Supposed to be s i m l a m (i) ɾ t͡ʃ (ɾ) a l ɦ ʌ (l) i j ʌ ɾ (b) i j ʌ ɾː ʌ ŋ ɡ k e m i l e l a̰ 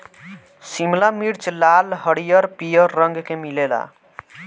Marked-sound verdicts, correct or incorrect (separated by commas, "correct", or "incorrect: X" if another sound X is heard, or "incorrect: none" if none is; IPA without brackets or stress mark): correct, incorrect: l, incorrect: ɽ, incorrect: p